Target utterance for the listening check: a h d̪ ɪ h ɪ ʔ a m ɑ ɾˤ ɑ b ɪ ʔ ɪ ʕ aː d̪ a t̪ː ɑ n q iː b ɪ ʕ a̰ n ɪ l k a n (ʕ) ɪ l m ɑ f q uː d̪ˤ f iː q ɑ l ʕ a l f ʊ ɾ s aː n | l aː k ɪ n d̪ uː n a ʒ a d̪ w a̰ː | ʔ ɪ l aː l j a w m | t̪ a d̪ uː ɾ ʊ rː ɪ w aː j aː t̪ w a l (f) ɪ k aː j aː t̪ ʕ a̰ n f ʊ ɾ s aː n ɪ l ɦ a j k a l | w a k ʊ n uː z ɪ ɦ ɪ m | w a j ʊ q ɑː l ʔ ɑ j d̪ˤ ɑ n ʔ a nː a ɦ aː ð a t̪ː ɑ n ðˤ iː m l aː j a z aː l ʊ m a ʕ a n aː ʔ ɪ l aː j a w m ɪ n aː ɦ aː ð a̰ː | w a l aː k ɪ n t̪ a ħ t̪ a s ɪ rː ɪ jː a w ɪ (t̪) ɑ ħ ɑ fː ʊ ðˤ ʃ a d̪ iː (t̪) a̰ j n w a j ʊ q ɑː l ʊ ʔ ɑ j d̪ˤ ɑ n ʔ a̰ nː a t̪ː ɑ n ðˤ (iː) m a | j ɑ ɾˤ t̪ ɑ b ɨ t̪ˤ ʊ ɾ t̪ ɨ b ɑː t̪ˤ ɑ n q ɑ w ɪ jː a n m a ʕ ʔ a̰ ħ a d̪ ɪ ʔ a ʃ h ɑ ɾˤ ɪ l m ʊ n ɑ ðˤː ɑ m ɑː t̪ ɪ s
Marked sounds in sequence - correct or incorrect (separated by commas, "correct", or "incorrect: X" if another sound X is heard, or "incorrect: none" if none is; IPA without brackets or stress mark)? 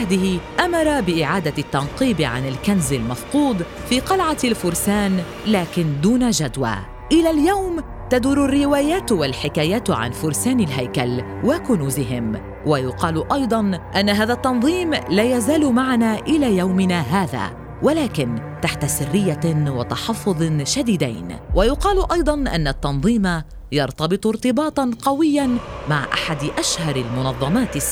incorrect: z, incorrect: ħ, correct, incorrect: d̪, correct